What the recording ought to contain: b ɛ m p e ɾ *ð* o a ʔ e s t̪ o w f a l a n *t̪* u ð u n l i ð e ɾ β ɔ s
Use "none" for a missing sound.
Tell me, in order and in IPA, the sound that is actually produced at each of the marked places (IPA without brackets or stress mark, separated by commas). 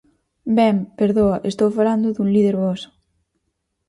ð, d̪